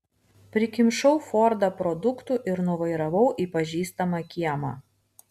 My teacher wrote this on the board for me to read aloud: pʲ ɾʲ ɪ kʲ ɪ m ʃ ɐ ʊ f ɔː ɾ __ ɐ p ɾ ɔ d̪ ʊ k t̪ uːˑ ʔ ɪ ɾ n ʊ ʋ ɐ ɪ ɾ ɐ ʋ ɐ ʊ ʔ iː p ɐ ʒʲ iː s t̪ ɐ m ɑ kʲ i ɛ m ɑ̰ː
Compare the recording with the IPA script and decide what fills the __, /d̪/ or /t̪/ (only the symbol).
d̪